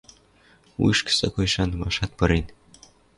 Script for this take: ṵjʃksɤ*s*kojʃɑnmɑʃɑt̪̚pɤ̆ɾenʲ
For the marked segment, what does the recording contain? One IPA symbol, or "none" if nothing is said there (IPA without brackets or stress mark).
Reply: none